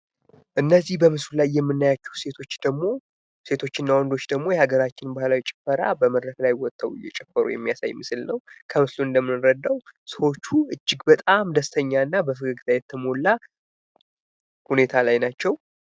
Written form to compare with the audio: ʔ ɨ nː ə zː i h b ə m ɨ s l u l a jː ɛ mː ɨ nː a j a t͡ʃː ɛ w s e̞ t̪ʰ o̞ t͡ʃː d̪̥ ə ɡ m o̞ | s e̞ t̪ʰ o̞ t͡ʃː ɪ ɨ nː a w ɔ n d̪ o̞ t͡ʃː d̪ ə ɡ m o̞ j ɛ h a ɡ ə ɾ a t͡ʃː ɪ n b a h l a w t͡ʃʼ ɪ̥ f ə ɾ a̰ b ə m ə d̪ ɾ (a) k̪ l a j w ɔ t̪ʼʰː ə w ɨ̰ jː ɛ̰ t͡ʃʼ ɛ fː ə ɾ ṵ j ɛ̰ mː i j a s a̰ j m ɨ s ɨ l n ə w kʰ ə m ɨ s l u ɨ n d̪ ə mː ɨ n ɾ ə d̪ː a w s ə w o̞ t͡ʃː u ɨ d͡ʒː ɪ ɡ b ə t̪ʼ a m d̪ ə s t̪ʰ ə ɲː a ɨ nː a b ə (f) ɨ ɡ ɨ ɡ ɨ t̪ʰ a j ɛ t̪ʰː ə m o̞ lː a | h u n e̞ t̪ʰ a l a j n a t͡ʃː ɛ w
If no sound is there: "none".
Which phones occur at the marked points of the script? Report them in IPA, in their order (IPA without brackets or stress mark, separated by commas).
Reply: ə, f